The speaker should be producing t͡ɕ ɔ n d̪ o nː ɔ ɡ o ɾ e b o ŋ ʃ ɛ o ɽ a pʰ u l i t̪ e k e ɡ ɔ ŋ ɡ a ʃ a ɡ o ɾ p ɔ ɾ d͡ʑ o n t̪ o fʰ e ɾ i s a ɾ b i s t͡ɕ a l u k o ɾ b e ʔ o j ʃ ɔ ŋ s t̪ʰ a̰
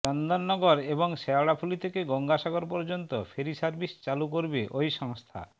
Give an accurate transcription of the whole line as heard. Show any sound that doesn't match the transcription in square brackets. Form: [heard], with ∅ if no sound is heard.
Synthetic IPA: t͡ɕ ɔ n d̪ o nː ɔ ɡ o ɾ e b o ŋ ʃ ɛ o ɽ a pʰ u l i [t̪ʰ] e k e ɡ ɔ ŋ ɡ a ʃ a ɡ o ɾ p ɔ ɾ d͡ʑ o n t̪ o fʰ e ɾ i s a ɾ b i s t͡ɕ a l u k o ɾ b e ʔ o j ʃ ɔ ŋ s t̪ʰ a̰